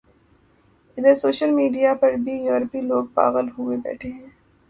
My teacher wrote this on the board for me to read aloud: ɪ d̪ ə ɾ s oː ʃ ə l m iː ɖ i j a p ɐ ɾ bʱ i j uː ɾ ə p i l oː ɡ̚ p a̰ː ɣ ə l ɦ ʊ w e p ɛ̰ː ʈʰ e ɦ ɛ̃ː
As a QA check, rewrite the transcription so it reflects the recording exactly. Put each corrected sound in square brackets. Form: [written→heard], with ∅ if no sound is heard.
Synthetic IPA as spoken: ɪ d̪ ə ɾ s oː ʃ ə l m iː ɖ i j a p ɐ ɾ bʱ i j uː ɾ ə p i l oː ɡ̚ p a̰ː ɣ ə l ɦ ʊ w e [p→b] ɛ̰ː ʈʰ e ɦ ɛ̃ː